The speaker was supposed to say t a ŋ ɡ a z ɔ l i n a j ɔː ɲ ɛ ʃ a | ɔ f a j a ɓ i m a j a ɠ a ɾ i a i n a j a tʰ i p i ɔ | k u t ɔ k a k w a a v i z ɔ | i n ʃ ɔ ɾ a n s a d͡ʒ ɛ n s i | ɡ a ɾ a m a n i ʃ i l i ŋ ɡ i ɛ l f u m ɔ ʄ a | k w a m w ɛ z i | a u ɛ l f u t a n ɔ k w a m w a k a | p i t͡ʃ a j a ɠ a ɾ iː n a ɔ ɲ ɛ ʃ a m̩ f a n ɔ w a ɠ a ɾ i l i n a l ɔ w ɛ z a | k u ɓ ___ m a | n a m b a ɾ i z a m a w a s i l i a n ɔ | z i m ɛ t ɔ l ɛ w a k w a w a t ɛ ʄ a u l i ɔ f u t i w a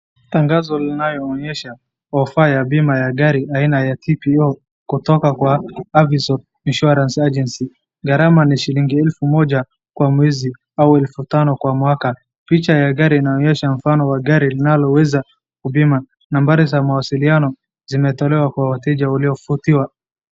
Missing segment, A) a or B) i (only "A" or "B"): B